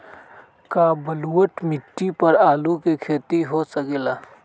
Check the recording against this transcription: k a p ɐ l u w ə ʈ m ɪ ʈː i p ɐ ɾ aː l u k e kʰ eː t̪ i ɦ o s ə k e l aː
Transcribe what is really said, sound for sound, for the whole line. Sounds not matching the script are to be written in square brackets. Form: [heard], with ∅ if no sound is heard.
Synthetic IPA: k a [b] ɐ l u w ə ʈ m ɪ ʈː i p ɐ ɾ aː l u k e kʰ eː t̪ i ɦ o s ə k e l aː